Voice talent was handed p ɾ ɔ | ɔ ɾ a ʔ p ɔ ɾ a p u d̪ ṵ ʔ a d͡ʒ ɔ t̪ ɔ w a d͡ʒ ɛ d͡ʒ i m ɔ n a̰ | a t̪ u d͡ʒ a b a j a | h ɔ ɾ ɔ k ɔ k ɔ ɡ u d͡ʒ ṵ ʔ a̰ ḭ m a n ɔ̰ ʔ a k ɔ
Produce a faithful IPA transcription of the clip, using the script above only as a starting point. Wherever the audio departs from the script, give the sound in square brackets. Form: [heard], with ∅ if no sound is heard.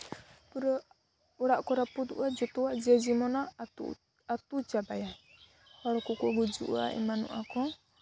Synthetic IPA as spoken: p ɾ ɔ | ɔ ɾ a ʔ [k] ɔ ɾ a p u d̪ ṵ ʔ a d͡ʒ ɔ t̪ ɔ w a d͡ʒ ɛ d͡ʒ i m ɔ n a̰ | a t̪ u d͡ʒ a b a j a | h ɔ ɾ ɔ k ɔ k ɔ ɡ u d͡ʒ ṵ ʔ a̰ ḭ m a n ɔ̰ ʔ a k ɔ

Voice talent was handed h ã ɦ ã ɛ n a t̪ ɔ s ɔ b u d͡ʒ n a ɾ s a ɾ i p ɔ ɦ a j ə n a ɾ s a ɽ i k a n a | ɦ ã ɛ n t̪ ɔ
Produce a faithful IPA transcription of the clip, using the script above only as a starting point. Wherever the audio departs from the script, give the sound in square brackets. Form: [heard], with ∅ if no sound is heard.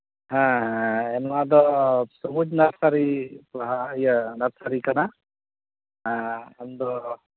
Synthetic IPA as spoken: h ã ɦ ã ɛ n a [d̪] ɔ s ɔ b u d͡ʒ n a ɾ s a ɾ i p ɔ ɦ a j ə n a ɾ s a [ɾ] i k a n a | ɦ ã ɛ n [d̪] ɔ

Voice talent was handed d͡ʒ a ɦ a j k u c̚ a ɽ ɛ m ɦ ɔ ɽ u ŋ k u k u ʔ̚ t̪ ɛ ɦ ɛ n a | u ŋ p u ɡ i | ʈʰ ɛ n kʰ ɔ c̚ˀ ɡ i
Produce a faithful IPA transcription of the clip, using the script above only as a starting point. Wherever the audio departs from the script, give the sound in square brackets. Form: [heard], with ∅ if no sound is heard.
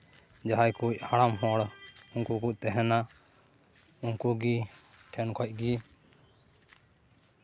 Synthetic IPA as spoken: d͡ʒ a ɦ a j k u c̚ a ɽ [a] m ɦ ɔ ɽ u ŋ k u k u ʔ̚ t̪ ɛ ɦ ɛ n a | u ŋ [k] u ɡ i | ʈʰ ɛ n kʰ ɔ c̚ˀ ɡ i

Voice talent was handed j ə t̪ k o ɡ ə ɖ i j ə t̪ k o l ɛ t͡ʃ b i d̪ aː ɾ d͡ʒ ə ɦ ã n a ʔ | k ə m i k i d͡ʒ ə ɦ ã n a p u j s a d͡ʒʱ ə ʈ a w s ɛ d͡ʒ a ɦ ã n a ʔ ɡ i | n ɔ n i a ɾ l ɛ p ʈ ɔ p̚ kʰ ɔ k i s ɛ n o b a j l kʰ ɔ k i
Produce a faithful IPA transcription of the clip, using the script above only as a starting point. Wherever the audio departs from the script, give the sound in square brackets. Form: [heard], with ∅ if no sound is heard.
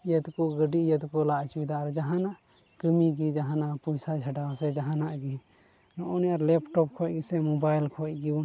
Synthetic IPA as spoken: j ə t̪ k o ɡ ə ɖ i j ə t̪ k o l [a] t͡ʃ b i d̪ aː ɾ d͡ʒ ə ɦ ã n a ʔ | k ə m i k i d͡ʒ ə ɦ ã n a p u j s a d͡ʒʱ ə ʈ a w s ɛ d͡ʒ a ɦ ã n a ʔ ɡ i | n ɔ n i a ɾ l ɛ p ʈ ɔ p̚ kʰ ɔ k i s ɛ [m] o b a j l kʰ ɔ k i

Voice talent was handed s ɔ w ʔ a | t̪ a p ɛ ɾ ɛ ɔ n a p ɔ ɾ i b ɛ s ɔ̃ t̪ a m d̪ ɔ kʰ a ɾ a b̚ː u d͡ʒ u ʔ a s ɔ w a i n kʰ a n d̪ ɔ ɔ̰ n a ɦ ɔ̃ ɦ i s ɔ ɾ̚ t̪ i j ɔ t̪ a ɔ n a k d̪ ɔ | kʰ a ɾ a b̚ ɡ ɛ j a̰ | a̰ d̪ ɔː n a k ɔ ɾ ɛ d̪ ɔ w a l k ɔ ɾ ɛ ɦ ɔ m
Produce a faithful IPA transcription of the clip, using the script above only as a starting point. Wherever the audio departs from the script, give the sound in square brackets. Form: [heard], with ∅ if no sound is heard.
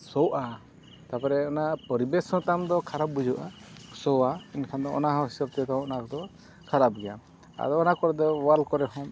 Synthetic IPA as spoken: s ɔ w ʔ a | t̪ a p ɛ ɾ ɛ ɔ n a p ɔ ɾ i b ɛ s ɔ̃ t̪ a m d̪ ɔ kʰ a ɾ a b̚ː u d͡ʒ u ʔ a s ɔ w a i n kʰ a n d̪ ɔ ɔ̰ n a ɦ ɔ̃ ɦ i s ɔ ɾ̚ t̪ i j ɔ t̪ a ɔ n a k d̪ ɔ | kʰ a ɾ a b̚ ɡ ɛ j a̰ | a̰ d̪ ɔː n a k ɔ ɾ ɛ d̪ ɔ w a l k ɔ ɾ ɛ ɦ ɔ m

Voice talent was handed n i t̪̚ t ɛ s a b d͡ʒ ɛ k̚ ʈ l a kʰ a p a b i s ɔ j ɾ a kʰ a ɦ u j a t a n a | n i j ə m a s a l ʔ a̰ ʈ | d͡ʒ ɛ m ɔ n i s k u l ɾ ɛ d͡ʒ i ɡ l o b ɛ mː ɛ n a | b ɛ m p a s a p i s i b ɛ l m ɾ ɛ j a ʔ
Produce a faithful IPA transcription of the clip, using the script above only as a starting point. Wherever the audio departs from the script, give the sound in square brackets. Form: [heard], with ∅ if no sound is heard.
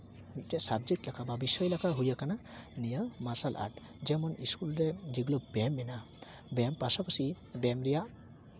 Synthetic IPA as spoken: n i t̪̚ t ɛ s a b d͡ʒ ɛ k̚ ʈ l a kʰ a [b] a b i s ɔ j [l] a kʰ a ɦ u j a [k] a n a | n i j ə m a s a l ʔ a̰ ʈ | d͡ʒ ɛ m ɔ n i s k u l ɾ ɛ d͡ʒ i ɡ l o b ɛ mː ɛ n a | b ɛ m p a s a p [a] s i b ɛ [∅] m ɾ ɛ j a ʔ

